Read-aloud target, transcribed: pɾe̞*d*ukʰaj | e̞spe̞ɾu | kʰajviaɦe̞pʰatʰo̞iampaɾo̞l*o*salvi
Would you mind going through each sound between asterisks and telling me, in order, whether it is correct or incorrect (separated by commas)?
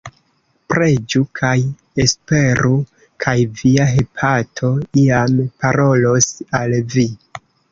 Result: incorrect, correct